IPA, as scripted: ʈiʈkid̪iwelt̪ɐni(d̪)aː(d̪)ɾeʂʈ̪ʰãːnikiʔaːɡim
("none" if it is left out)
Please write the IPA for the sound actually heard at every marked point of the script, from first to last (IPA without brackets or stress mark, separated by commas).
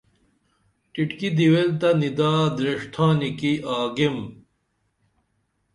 d̪, d̪